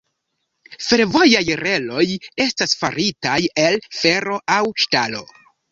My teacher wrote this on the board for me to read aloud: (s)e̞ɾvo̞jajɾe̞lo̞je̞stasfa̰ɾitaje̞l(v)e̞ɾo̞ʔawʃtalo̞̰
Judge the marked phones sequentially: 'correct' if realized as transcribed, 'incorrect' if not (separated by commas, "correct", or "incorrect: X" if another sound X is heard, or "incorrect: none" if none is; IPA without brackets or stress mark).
incorrect: f, incorrect: f